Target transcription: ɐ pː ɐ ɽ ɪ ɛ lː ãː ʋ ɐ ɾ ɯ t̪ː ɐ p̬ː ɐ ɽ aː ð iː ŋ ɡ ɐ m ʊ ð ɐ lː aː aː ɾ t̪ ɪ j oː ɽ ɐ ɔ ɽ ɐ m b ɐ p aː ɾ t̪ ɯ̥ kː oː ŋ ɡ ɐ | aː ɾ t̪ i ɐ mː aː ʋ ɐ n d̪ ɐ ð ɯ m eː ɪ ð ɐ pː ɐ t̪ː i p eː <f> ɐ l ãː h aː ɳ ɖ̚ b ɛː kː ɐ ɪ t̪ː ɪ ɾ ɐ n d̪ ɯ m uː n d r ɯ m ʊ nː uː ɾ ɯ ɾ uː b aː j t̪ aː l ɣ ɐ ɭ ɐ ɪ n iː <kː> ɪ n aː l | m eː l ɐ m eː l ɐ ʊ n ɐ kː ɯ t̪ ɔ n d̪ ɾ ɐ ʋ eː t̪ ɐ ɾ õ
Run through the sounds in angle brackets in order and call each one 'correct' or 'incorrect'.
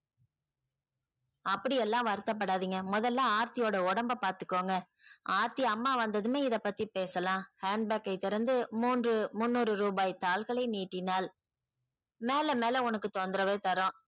incorrect, incorrect

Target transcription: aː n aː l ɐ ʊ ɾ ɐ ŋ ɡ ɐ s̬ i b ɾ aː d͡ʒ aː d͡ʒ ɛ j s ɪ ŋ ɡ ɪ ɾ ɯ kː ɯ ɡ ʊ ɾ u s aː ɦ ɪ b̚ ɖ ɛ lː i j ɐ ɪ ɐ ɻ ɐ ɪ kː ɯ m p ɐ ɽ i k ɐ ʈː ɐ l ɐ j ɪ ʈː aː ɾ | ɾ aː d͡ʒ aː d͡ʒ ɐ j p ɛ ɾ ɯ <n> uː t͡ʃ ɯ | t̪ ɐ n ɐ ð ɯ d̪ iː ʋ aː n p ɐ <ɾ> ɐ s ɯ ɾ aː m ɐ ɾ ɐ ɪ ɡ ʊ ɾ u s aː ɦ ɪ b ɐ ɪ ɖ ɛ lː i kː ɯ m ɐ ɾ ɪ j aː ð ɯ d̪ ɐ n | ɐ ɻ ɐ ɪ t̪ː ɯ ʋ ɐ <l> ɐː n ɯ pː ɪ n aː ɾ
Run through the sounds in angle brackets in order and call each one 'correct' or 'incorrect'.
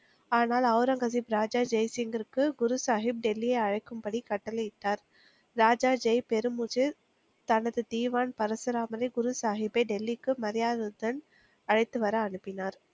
incorrect, correct, incorrect

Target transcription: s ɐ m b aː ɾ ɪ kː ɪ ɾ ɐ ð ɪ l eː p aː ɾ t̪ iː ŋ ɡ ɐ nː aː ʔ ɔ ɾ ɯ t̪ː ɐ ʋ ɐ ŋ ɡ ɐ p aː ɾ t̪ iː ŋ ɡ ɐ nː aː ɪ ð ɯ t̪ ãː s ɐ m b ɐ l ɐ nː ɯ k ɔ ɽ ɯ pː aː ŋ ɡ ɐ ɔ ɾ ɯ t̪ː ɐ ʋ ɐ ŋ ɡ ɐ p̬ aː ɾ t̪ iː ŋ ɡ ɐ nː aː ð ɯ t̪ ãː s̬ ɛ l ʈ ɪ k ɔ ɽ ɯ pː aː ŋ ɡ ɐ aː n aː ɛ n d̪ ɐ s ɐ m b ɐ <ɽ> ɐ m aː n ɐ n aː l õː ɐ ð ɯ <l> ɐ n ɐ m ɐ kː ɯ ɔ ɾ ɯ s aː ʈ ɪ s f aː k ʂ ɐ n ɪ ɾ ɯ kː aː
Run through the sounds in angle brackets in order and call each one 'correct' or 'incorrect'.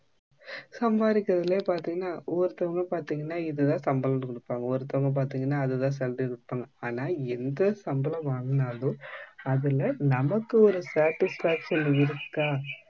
incorrect, correct

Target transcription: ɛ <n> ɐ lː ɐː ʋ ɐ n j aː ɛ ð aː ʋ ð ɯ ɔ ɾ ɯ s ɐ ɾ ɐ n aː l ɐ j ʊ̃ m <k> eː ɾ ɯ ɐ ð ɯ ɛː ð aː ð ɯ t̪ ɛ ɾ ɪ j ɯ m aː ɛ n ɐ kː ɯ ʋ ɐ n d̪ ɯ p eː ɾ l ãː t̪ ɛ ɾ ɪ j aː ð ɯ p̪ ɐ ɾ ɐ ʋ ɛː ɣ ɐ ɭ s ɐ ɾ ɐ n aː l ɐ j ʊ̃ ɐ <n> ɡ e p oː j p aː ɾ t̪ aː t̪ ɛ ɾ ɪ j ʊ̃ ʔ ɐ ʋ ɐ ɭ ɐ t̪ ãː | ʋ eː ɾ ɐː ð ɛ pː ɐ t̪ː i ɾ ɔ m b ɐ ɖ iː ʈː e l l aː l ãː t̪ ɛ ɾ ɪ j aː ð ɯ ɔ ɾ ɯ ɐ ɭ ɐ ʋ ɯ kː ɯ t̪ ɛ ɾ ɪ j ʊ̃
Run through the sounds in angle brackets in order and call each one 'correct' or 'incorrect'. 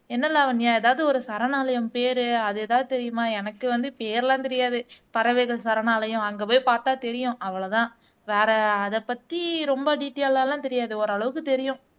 incorrect, incorrect, incorrect

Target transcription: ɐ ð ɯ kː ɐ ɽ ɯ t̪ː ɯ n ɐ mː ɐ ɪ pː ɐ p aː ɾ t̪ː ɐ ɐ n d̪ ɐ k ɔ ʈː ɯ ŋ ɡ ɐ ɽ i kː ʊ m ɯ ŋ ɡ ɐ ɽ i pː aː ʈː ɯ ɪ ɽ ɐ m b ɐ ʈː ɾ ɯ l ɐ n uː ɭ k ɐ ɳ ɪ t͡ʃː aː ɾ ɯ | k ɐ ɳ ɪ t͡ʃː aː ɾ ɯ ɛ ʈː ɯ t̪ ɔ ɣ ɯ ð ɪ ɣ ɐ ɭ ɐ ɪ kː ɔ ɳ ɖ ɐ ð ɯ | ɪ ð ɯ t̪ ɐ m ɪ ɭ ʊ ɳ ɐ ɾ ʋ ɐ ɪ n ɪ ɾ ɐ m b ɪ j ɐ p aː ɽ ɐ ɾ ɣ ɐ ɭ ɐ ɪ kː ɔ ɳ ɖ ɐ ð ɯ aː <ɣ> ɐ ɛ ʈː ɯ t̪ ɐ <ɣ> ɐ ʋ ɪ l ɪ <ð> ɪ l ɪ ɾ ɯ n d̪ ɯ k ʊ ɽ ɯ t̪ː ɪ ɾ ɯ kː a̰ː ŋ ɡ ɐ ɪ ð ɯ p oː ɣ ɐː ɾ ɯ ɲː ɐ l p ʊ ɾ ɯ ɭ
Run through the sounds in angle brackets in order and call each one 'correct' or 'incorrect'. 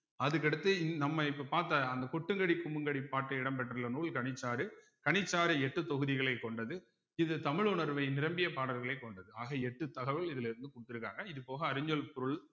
correct, correct, correct

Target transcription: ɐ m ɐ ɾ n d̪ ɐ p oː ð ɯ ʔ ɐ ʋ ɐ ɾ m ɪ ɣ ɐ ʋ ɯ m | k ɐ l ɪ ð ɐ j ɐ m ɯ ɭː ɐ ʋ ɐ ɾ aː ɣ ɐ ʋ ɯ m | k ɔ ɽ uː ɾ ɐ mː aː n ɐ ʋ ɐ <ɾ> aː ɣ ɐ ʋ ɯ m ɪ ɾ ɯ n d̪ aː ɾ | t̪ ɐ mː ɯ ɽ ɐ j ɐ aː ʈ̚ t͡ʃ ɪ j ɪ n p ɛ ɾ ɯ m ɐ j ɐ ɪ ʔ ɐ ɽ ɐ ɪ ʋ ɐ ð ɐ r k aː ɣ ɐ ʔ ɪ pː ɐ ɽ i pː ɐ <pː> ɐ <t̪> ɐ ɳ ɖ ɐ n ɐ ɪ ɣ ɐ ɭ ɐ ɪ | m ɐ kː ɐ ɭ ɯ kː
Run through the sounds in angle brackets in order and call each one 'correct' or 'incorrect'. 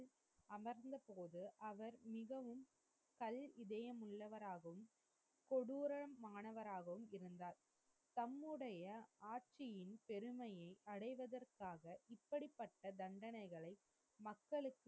correct, incorrect, incorrect

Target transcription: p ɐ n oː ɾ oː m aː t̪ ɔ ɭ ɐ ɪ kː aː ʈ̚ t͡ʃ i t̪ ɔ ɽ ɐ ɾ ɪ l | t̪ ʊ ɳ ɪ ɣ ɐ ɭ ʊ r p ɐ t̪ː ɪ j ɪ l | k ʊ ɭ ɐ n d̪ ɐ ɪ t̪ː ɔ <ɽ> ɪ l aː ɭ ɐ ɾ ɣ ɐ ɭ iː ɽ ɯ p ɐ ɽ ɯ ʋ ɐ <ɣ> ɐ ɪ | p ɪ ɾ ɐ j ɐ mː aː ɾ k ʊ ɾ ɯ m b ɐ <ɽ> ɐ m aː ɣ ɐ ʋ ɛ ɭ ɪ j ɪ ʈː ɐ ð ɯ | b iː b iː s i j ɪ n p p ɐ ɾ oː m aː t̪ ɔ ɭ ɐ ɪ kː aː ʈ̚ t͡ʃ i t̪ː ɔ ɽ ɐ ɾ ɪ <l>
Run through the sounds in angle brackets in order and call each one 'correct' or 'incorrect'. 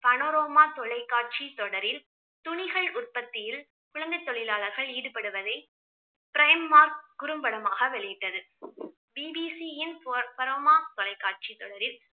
incorrect, incorrect, correct, correct

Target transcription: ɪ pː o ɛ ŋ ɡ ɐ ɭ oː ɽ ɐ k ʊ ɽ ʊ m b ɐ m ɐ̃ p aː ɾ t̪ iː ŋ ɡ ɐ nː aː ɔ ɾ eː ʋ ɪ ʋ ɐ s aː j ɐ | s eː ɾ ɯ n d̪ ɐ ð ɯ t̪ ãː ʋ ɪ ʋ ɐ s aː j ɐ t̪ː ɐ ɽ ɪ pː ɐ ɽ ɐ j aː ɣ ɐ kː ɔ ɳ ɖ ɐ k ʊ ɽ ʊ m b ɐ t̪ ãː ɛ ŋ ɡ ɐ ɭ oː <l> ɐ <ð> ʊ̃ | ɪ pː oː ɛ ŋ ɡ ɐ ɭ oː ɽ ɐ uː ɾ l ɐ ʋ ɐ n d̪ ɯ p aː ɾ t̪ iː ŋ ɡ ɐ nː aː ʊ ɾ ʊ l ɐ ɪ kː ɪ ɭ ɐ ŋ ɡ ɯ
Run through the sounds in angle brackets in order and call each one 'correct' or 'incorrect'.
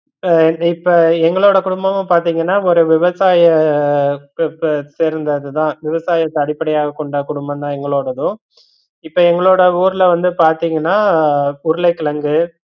incorrect, correct

